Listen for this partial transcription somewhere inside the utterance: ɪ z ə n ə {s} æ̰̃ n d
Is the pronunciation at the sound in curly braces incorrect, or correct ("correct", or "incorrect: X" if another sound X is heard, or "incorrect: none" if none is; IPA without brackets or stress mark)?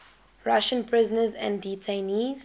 incorrect: z